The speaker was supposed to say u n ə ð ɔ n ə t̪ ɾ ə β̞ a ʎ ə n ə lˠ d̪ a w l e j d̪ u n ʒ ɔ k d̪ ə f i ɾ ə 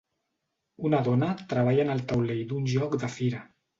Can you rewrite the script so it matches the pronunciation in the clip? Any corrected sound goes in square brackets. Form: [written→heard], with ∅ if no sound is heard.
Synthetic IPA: u n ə ð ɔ n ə t̪ ɾ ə β̞ a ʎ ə n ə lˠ [d̪→t̪] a w l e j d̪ u n ʒ ɔ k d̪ ə f i ɾ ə

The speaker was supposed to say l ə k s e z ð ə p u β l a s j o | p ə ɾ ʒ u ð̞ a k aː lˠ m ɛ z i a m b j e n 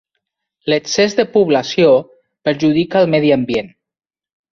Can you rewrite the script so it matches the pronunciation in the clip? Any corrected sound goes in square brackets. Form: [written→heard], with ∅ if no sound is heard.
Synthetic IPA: l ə k s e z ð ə p u β l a s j o | p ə ɾ ʒ u ð̞ [a→i] k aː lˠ m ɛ [z→ð] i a m b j e n

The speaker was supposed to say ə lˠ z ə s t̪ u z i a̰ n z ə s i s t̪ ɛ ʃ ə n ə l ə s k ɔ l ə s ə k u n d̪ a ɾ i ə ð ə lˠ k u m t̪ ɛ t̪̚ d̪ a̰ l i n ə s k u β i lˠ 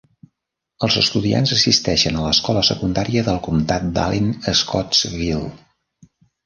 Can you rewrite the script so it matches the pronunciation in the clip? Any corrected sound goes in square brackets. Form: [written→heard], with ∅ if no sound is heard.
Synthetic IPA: ə lˠ z ə s t̪ u [z→ð] i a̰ n z ə s i s t̪ ɛ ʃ ə n ə l ə s k ɔ l ə s ə k u n d̪ a ɾ i ə ð ə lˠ k u m t̪ [ɛ→a] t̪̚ d̪ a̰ l i n ə s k [u→ɔ] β i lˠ

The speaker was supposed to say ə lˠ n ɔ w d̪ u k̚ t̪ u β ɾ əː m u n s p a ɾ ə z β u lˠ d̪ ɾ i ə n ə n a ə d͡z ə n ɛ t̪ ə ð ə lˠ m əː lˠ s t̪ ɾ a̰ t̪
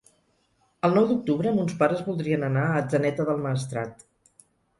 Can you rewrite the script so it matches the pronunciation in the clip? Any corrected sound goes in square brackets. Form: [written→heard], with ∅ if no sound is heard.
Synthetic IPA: ə lˠ n ɔ w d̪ u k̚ t̪ u β ɾ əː m u n s p a ɾ ə z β u lˠ d̪ ɾ i ə n ə n a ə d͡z ə n ɛ t̪ ə ð ə lˠ m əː [lˠ→∅] s t̪ ɾ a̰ t̪

